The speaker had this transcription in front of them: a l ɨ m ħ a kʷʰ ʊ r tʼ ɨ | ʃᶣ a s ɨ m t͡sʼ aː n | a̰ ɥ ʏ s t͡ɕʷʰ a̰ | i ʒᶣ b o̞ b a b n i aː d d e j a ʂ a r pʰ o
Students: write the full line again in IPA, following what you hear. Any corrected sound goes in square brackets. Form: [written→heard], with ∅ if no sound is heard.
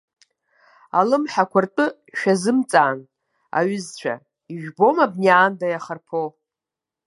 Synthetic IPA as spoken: a l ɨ m ħ a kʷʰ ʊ r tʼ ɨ | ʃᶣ a [s→z] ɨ m t͡sʼ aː n | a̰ ɥ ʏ [s→z] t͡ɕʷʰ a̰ | i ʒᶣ b o̞ [b→m] a b n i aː [d→n] d [e→a] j a [ʂ→χ] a r pʰ o